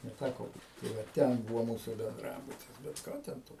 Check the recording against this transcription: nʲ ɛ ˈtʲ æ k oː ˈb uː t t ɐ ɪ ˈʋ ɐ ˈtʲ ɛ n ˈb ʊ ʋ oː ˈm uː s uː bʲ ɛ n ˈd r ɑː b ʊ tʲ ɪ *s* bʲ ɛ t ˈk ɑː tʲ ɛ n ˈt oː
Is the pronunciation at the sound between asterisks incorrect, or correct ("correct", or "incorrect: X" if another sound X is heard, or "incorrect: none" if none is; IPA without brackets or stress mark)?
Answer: correct